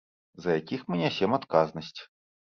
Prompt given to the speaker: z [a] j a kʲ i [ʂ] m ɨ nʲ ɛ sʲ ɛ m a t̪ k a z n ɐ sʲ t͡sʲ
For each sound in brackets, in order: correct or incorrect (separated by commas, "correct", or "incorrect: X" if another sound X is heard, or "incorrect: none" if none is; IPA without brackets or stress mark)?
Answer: incorrect: ɐ, incorrect: x